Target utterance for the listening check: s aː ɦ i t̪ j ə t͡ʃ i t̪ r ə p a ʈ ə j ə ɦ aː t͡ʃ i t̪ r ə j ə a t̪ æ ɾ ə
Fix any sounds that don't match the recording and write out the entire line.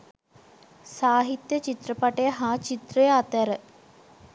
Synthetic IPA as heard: s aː ɦ i t̪ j ə t͡ʃ i t̪ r ə p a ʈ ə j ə ɦ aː t͡ʃ i t̪ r ə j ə a t̪ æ ɾ ə